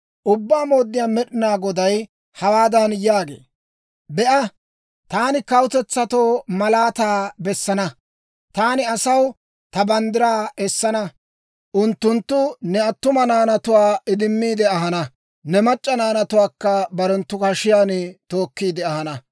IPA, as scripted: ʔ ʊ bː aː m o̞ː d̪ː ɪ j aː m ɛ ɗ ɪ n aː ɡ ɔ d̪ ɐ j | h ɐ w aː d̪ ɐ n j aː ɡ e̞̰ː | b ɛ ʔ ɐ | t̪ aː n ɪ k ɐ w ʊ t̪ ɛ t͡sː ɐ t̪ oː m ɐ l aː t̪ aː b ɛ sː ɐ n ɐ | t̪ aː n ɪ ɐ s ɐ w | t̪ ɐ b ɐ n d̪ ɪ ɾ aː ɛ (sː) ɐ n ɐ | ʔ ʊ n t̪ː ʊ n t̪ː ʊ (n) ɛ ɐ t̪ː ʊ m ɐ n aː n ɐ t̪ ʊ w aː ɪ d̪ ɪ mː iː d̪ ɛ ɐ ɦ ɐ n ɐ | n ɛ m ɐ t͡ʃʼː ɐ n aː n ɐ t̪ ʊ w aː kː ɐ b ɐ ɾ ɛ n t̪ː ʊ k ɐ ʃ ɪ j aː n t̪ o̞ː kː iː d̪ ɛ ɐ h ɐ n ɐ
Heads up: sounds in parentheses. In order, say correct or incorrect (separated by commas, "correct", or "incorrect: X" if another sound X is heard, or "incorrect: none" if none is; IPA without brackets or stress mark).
correct, correct